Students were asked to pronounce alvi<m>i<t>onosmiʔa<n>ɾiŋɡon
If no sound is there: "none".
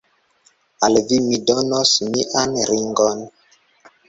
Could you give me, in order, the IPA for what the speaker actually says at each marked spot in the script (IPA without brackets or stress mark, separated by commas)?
m, d, n